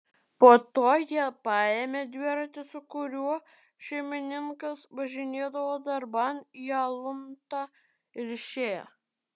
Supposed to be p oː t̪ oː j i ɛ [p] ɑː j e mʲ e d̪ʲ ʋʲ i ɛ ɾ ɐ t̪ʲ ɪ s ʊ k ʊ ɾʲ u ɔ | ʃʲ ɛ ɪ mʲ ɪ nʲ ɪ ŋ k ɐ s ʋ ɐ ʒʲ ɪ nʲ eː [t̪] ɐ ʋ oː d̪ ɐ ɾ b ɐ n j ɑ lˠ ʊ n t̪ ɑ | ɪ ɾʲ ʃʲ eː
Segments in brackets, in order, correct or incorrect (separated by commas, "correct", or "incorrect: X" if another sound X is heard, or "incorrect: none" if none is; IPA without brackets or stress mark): correct, incorrect: d̪